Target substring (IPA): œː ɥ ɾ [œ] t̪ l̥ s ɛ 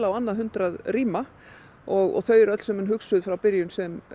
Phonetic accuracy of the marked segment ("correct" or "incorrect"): correct